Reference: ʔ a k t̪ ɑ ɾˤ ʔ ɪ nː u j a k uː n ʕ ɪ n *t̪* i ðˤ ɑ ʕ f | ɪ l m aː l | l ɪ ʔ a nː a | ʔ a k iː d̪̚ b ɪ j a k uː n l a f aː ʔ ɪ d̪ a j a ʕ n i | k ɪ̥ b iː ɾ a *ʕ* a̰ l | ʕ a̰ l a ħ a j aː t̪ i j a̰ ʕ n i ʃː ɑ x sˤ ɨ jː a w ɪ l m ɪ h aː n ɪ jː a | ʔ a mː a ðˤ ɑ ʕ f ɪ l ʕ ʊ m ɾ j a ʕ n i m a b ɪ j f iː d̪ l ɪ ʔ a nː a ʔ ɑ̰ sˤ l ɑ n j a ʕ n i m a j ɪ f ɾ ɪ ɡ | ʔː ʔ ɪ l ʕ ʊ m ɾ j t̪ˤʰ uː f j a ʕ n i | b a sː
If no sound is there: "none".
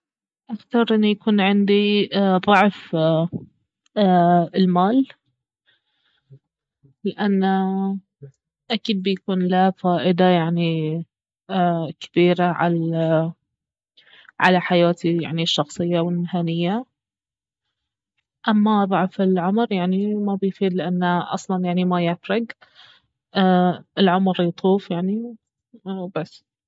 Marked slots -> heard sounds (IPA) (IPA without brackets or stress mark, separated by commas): d̪, ʕ